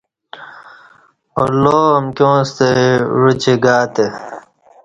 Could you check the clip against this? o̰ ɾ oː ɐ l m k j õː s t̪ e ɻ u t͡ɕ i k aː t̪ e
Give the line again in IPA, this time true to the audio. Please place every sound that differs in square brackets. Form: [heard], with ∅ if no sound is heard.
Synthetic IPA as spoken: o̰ [l] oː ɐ [∅] m k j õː s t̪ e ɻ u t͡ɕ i [ɡ] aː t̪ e